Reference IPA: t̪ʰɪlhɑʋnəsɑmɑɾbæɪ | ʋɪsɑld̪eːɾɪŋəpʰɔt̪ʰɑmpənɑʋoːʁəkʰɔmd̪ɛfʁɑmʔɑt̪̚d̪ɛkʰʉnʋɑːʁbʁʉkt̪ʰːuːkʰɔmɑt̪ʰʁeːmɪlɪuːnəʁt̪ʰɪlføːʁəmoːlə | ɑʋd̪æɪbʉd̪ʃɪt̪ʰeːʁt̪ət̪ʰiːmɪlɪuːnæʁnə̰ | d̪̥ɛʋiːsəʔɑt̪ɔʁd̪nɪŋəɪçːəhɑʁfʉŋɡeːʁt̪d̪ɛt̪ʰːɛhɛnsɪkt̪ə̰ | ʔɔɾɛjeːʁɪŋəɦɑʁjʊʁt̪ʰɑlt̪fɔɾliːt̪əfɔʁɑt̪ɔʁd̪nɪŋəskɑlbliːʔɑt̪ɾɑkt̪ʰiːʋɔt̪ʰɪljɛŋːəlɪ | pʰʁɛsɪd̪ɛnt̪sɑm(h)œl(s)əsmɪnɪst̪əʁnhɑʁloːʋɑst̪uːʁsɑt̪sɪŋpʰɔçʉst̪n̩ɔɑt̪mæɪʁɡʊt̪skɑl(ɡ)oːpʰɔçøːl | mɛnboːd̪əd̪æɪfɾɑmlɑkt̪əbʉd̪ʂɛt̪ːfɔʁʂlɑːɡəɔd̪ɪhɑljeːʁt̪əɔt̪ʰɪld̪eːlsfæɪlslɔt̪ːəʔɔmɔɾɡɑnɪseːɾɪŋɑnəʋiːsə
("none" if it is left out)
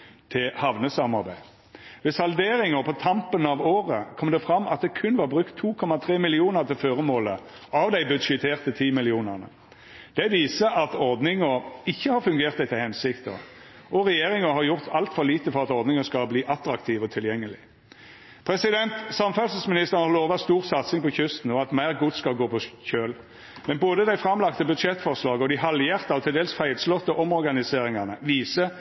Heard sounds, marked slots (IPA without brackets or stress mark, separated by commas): f, s, ɡ